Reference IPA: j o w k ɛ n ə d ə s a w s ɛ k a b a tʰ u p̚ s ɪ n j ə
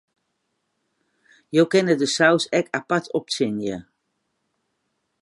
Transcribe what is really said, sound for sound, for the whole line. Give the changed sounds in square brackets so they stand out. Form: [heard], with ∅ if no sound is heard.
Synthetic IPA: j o w k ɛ n ə d ə s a w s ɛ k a [p] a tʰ [ɔ] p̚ s ɪ n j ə